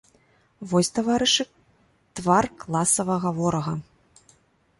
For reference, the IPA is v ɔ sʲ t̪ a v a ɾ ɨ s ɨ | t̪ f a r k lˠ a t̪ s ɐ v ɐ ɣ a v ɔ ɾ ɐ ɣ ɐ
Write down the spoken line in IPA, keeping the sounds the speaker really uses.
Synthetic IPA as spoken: v ɔ sʲ t̪ a v a ɾ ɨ ʂ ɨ | t̪ v a r k lˠ a s ɐ v ɐ ɣ a v ɔ ɾ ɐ ɣ ɐ